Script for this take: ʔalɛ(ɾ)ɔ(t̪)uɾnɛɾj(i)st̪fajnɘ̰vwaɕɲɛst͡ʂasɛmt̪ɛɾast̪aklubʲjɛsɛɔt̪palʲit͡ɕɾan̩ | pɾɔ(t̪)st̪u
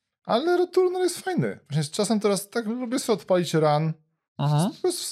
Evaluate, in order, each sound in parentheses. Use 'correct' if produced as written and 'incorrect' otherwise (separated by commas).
correct, correct, incorrect, incorrect